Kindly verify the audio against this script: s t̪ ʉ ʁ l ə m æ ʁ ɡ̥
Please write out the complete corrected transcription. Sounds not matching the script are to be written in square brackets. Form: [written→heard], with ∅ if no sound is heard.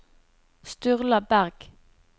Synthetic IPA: s t̪ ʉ ʁ l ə [m→b] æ ʁ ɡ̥